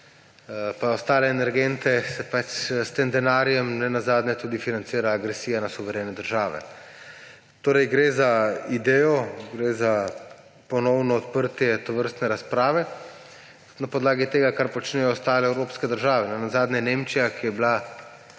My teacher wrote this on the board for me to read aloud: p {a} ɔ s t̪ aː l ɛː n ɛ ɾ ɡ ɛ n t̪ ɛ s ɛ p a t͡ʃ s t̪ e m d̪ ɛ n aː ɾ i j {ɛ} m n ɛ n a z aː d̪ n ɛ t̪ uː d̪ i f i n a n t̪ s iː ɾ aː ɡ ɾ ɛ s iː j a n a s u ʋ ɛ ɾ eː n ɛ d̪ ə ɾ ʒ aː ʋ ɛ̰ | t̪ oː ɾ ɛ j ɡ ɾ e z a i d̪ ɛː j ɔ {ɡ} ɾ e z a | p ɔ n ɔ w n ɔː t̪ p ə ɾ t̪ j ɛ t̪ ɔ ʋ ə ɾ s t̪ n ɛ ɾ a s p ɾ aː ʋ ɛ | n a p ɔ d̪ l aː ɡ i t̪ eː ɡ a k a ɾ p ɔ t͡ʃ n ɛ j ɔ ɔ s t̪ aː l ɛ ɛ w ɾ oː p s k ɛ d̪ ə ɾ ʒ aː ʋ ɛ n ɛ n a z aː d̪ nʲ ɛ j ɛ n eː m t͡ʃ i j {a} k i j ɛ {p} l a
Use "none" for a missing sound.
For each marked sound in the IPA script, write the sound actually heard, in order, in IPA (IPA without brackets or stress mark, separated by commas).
a, ɛ, ɡ, a, b